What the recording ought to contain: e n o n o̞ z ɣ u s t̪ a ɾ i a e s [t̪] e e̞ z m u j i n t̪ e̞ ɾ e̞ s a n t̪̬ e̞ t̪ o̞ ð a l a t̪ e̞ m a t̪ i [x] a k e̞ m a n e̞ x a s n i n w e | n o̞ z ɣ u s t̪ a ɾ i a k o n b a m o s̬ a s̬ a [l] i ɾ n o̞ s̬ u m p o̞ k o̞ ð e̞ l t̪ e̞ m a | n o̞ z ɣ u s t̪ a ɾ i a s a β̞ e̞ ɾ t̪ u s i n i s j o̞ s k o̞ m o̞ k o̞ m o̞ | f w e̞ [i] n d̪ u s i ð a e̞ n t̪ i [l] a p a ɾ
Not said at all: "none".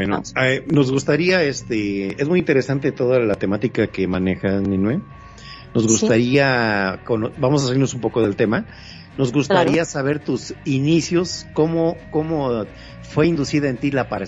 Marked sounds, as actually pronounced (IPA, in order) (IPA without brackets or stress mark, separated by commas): t̪, k, l, i, l